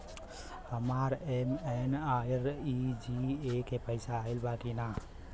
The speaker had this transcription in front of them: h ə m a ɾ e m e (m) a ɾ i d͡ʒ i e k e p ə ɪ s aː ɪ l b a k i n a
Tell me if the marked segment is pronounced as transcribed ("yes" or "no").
no